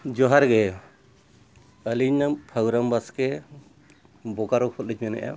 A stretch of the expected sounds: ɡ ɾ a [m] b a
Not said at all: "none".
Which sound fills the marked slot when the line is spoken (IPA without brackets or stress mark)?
m